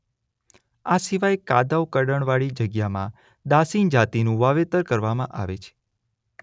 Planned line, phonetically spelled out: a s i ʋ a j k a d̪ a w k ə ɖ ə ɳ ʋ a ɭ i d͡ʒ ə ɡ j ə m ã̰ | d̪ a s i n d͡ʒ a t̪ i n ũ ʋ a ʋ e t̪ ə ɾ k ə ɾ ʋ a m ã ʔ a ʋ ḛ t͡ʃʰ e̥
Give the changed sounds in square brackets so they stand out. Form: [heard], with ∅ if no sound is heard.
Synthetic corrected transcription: a s i ʋ a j k a d̪ a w k ə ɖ ə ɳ ʋ a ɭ i d͡ʒ ə ɡ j [a] m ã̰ | d̪ a s i n d͡ʒ a t̪ i n ũ ʋ a ʋ e t̪ ə ɾ k ə ɾ ʋ a m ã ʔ a ʋ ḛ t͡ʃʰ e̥